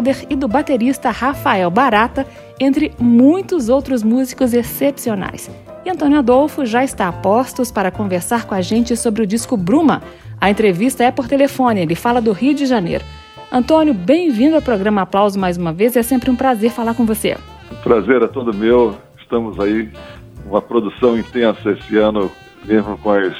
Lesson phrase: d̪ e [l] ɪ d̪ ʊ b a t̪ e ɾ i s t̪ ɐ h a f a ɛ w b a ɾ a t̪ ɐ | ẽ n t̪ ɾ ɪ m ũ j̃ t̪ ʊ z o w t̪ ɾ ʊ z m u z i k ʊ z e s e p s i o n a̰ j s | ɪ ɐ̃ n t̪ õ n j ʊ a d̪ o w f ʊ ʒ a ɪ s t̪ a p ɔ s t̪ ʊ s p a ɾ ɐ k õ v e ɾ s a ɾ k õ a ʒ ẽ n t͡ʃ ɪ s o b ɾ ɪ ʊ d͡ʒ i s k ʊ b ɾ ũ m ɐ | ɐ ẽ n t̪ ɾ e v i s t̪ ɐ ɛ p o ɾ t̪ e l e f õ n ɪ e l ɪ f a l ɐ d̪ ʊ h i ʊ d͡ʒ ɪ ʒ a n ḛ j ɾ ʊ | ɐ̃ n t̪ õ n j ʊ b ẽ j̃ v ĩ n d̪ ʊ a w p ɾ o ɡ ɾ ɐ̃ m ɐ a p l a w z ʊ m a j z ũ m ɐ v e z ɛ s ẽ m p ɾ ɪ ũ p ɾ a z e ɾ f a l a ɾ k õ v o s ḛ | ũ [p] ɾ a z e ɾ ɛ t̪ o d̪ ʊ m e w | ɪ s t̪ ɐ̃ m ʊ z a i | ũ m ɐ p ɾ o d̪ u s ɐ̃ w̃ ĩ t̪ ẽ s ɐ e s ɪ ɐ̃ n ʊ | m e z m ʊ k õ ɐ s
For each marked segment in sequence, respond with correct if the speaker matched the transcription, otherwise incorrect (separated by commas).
incorrect, correct